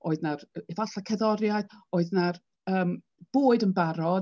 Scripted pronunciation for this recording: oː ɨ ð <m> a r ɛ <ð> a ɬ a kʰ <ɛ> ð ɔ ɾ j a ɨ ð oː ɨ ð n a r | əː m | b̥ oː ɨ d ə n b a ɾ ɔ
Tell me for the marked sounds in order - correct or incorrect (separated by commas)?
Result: incorrect, incorrect, correct